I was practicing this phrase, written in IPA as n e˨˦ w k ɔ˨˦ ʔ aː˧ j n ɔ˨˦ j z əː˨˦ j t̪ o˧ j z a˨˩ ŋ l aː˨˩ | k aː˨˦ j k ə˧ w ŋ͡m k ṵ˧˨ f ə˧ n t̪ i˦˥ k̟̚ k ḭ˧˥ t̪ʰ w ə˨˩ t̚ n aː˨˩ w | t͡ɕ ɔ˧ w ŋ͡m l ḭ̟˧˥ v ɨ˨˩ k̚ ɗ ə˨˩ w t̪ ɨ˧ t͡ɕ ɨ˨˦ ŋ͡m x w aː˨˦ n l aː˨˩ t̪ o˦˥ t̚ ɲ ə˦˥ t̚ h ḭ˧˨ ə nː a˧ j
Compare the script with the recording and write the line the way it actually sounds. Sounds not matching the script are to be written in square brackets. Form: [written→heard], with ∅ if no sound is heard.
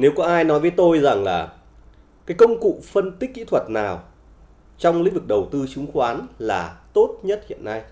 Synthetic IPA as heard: n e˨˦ w k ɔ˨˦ ʔ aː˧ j n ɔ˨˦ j [z→v] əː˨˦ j t̪ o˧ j z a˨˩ ŋ l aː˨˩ | k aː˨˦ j k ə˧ w ŋ͡m k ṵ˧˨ f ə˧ n t̪ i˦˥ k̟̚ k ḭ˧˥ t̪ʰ w ə˨˩ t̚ n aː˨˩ w | t͡ɕ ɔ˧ w ŋ͡m l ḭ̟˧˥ v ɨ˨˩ k̚ ɗ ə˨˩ w t̪ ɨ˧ t͡ɕ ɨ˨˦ ŋ͡m x w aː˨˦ n l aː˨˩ t̪ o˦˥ t̚ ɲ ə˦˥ t̚ h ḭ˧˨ ə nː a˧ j